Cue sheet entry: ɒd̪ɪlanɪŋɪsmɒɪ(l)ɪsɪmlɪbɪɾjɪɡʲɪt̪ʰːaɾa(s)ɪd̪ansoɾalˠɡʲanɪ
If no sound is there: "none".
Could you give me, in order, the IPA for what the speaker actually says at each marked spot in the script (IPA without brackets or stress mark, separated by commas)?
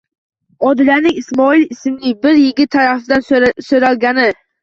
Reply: l, f